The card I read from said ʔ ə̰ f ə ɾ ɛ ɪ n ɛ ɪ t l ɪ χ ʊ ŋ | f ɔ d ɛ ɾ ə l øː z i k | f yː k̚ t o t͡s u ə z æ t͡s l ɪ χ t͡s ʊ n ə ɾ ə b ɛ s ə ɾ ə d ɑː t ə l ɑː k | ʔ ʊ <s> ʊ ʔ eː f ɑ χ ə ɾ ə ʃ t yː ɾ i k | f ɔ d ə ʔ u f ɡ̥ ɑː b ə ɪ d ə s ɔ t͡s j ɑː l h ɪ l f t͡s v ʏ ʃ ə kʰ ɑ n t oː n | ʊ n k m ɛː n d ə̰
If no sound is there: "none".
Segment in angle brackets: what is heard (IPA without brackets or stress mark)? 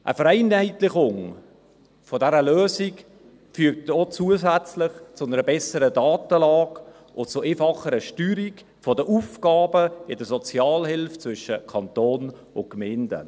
t͡s